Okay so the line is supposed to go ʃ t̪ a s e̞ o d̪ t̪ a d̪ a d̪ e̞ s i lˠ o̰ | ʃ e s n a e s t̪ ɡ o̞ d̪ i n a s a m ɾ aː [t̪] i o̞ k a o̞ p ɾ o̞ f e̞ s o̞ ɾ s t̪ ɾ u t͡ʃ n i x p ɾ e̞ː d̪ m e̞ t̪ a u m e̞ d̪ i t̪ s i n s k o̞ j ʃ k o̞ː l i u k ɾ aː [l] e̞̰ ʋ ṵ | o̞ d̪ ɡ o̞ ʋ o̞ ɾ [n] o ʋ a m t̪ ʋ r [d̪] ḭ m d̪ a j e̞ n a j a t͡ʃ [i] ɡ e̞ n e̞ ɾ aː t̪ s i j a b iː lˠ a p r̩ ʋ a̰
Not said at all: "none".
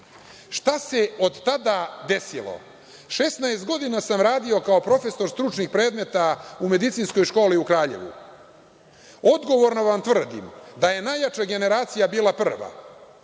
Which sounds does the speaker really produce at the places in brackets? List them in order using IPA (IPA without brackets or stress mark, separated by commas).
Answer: d̪, ʎ, n, d̪, a